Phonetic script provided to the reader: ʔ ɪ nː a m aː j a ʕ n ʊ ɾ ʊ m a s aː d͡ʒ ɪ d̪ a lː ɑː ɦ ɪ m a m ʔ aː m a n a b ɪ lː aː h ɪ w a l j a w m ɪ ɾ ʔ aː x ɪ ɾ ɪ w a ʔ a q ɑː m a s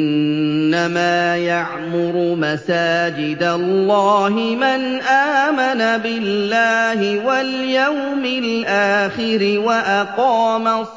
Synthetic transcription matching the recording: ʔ ɪ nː a m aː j a ʕ m ʊ ɾ ʊ m a s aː d͡ʒ ɪ d̪ a lː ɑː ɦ ɪ m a n ʔ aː m a n a b ɪ lː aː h ɪ w a l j a w m ɪ l ʔ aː x ɪ ɾ ɪ w a ʔ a q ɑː m a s